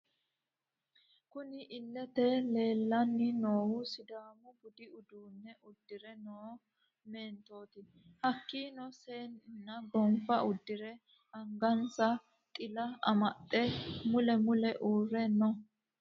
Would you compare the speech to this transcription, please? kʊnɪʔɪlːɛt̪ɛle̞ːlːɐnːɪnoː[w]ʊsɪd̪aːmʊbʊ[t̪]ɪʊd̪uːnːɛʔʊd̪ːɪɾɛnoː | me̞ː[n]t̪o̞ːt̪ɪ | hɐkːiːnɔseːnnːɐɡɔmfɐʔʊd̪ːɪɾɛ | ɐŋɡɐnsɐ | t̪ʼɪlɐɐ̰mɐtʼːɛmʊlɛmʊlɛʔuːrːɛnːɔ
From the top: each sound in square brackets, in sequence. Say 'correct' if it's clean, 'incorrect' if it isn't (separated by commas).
correct, incorrect, correct